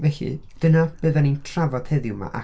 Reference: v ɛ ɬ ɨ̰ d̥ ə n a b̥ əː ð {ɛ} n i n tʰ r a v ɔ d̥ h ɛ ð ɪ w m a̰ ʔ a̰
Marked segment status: incorrect: a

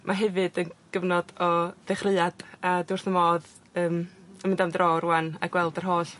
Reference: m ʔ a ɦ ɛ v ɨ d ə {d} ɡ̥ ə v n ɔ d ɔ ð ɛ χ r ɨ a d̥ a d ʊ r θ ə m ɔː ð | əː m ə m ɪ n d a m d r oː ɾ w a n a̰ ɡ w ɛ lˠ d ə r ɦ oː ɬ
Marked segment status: incorrect: n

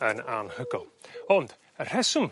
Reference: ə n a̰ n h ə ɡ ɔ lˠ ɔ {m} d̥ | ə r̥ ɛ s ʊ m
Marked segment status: incorrect: n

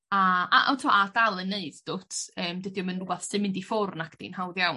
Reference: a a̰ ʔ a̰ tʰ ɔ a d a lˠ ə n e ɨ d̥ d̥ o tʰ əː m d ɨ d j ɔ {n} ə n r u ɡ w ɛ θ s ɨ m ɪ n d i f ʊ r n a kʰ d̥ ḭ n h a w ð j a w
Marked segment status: incorrect: m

